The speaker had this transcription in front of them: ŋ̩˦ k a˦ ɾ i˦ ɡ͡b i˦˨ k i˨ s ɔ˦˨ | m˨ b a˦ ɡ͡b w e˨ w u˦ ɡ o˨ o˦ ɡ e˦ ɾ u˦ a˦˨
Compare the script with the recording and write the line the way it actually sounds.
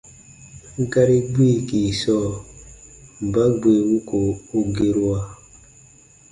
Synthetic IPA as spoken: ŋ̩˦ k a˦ ɾ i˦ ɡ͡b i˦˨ k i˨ s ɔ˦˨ | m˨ b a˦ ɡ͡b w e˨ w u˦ k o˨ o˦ ɡ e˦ ɾ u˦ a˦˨